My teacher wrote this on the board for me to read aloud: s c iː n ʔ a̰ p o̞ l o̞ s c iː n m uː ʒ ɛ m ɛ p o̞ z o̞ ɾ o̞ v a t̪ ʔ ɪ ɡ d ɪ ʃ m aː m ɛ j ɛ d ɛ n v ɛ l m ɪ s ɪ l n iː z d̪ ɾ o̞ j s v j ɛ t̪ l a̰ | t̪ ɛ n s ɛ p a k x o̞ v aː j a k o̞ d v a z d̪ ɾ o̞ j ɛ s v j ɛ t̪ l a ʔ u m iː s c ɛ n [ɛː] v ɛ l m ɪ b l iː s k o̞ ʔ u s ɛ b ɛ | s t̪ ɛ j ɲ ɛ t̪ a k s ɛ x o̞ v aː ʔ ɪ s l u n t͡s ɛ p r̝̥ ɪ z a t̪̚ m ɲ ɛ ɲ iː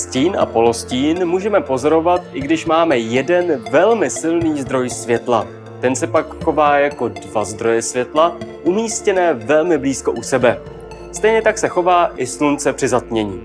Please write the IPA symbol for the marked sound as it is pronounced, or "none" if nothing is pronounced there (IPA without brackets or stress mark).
ɛː